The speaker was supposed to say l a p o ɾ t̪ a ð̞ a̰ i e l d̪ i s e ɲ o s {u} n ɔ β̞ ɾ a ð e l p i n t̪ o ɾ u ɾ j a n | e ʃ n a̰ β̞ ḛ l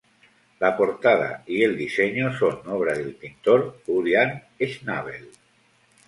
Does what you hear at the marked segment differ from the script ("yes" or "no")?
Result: yes